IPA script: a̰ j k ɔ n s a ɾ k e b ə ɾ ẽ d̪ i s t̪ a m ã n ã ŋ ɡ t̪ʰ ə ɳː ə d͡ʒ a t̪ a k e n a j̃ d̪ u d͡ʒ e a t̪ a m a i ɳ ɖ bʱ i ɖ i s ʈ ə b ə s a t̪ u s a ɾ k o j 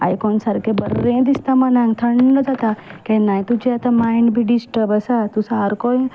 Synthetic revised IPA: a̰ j k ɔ n s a ɾ k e b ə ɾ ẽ d̪ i s t̪ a m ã n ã ŋ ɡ t̪ʰ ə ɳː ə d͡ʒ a t̪ a k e n a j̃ t̪ u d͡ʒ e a t̪ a m a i ɳ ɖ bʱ i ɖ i s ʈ ə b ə s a t̪ u s a ɾ k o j